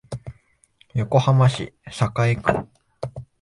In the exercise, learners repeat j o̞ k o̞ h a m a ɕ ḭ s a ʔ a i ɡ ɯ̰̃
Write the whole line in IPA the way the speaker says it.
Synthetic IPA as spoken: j o̞ k o̞ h a m a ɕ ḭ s a k a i k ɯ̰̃